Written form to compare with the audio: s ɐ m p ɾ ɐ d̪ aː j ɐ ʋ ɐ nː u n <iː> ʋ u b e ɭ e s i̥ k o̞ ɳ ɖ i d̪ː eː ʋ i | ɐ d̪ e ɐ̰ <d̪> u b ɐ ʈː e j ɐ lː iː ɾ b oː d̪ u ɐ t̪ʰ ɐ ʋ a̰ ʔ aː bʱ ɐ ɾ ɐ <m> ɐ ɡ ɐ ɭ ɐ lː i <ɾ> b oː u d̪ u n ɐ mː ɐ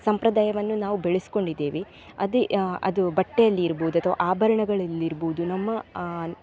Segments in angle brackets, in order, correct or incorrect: incorrect, correct, incorrect, correct

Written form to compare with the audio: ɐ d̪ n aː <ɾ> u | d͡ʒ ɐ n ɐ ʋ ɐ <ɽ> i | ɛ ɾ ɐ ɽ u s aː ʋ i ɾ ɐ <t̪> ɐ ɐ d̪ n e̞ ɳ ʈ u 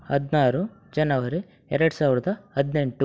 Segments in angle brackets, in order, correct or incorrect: correct, incorrect, incorrect

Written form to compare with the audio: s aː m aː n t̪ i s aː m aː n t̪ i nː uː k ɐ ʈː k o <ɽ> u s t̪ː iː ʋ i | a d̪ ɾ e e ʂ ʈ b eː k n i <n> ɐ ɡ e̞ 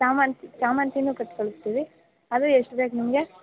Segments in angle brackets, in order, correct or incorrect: incorrect, incorrect

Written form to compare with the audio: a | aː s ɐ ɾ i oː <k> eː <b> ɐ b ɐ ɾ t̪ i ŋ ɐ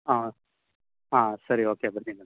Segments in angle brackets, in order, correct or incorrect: correct, incorrect

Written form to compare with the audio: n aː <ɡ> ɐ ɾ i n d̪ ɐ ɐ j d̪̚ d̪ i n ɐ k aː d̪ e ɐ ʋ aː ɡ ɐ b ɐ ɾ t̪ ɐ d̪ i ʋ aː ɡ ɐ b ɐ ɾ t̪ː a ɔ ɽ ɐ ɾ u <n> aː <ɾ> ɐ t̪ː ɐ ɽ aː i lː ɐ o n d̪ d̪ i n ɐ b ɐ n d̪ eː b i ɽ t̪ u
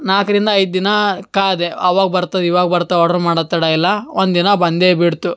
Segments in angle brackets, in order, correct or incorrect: incorrect, incorrect, incorrect

